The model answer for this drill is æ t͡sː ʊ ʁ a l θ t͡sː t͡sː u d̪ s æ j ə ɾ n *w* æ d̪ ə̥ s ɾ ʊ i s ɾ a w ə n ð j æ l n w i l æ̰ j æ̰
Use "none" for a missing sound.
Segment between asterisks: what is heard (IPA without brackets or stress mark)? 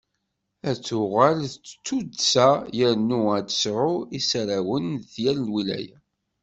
u